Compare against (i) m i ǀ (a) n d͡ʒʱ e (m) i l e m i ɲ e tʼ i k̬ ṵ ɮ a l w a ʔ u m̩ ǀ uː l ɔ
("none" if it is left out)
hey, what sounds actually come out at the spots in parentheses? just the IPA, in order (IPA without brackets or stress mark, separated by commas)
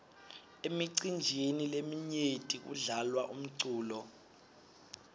e, i, n